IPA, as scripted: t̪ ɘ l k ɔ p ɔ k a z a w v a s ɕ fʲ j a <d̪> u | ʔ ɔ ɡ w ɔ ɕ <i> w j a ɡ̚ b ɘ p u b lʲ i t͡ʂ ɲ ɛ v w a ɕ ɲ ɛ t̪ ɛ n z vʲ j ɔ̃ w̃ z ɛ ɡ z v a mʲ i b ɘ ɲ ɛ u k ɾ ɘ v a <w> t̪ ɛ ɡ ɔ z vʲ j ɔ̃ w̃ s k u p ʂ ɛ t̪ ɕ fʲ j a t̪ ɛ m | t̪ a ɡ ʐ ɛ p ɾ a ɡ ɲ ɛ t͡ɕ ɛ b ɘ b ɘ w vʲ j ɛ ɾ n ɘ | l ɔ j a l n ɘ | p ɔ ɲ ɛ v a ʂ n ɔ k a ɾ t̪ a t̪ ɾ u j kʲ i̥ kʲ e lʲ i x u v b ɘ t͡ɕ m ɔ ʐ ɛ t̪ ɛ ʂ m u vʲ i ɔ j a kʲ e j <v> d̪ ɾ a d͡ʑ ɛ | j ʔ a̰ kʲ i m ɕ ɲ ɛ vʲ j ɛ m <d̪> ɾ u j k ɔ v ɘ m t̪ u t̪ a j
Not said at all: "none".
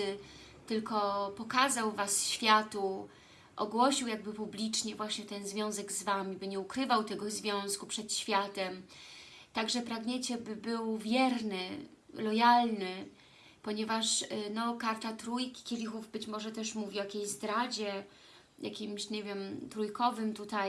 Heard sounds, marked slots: t̪, i, w, z, t̪

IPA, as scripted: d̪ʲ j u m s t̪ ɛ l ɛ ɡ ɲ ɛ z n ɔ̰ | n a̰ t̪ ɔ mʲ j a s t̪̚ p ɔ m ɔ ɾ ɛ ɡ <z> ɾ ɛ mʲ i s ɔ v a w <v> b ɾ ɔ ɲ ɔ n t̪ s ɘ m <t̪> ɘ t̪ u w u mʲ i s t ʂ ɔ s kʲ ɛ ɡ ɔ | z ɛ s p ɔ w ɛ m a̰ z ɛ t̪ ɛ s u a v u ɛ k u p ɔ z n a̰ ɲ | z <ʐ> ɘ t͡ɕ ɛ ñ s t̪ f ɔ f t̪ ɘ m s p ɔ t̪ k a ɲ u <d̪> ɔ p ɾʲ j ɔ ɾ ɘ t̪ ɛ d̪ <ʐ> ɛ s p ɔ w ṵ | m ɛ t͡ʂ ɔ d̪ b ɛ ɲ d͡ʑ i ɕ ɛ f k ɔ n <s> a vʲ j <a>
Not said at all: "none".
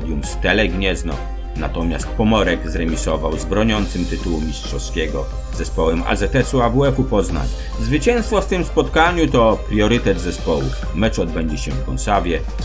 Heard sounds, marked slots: z, z, t̪, v, t̪, z, s, ɛ

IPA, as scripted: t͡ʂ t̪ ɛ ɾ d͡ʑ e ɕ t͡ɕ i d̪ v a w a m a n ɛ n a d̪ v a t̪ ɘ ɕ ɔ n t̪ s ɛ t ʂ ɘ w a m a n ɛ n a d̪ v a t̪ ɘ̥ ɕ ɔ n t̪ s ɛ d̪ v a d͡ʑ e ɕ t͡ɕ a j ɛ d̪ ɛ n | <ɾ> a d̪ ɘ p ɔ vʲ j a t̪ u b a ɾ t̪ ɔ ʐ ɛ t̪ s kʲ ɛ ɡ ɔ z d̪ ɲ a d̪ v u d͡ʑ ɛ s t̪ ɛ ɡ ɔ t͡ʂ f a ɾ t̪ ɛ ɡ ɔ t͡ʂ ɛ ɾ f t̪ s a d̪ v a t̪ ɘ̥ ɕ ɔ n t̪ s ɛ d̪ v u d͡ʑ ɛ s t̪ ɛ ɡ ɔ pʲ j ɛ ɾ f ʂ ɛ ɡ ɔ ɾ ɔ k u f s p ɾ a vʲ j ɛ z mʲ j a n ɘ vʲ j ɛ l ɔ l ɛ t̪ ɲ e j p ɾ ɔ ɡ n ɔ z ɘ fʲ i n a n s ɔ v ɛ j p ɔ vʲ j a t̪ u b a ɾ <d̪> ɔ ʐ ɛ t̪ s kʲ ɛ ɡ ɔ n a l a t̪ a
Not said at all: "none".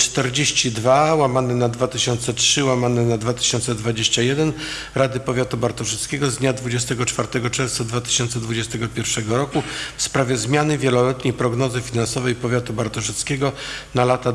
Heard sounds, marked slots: ɾ, t̪

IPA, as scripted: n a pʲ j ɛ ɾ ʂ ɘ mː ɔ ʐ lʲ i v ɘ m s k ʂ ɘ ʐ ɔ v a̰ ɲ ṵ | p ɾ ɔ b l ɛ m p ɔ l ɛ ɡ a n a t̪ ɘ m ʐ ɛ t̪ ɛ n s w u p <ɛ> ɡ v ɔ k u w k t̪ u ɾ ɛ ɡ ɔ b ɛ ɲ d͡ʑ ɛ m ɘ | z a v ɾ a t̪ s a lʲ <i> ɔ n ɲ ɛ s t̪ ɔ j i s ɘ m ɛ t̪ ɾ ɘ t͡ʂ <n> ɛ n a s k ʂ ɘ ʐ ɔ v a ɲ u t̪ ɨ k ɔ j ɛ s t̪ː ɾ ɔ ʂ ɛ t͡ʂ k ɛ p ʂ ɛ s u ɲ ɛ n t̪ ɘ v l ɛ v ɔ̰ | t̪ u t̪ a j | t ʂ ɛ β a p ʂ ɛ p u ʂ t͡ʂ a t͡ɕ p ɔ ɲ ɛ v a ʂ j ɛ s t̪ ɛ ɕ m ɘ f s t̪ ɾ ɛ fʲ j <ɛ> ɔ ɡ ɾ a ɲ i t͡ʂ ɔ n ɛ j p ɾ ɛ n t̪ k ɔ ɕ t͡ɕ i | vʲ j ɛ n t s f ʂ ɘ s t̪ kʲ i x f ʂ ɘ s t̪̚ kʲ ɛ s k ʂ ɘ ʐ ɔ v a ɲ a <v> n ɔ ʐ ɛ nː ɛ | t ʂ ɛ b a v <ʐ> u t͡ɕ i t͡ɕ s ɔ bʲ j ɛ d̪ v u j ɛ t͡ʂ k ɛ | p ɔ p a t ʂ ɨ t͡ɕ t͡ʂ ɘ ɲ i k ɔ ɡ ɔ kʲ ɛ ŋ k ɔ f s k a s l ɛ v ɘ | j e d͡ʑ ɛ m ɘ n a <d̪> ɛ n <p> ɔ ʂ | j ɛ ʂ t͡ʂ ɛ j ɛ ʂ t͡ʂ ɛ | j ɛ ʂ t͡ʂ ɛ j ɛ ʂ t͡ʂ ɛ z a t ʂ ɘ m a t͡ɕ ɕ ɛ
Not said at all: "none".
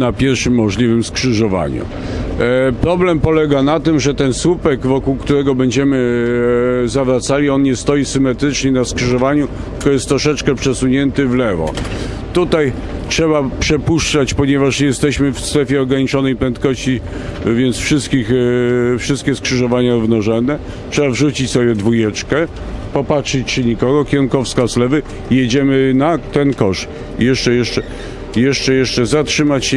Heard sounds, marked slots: ɛ, i, ɲ, ɛ, v, ʐ, t̪, k

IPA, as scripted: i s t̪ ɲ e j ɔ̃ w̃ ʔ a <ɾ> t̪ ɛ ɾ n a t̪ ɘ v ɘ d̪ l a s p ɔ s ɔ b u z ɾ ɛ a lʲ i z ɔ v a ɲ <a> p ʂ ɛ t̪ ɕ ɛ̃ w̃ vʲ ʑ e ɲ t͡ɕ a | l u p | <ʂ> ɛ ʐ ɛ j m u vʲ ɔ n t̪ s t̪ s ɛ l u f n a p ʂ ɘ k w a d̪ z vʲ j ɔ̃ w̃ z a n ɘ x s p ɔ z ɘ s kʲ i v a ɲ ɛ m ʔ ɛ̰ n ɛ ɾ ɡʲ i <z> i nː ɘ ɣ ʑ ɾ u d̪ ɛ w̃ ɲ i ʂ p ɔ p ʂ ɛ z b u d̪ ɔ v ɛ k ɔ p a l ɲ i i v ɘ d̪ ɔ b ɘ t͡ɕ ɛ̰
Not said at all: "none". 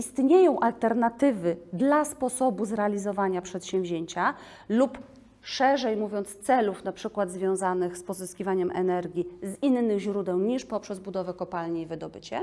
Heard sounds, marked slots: l, a, ʂ, z

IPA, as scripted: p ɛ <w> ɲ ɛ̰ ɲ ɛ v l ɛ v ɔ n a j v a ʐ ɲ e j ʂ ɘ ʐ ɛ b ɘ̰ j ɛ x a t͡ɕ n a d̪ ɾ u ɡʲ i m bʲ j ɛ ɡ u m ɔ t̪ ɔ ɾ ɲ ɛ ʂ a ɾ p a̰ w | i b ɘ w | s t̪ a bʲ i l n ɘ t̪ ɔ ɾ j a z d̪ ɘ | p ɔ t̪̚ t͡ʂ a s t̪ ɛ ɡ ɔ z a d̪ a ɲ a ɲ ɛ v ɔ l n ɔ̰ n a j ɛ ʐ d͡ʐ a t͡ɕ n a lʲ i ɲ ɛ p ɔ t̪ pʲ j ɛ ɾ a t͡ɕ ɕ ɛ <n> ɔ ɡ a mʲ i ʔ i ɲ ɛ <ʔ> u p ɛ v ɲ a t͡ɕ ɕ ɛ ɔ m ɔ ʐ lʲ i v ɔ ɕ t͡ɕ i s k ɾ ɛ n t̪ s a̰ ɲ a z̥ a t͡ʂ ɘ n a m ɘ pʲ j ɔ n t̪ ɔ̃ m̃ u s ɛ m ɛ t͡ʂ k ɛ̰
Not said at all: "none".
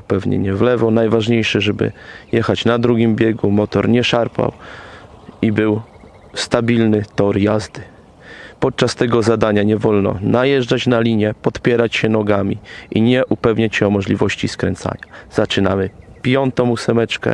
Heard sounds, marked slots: v, n, ʔ

